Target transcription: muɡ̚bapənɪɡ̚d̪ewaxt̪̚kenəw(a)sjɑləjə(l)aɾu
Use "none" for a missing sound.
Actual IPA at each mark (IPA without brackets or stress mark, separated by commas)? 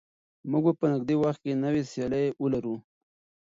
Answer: e, l